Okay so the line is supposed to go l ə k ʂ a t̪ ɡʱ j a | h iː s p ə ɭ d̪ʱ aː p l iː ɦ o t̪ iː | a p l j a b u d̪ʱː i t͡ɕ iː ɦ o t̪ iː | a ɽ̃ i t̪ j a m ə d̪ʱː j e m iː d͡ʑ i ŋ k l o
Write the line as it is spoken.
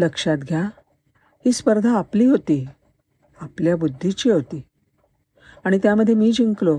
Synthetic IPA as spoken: l ə k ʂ a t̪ ɡʱ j a | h iː s p ə ɾ d̪ʱ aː p l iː ɦ o t̪ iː | a p l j a b u d̪ʱː i t͡ɕ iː ɦ o t̪ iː | a ɽ̃ i t̪ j a m ə d̪ʱː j e m iː d͡ʑ i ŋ k l o